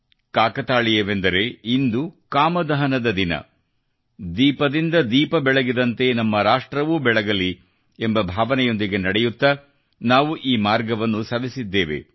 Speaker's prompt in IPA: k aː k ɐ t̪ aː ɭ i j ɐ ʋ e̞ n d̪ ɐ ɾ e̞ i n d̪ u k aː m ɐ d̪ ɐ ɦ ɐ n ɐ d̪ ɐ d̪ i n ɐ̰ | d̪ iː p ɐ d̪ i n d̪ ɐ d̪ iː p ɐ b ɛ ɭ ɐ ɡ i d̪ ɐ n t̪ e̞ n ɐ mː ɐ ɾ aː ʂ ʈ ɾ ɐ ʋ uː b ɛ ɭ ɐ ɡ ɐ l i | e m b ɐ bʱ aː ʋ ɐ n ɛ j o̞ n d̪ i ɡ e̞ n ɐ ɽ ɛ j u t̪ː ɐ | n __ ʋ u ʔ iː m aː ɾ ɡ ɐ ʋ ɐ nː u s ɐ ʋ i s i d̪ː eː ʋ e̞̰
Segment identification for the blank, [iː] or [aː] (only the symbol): aː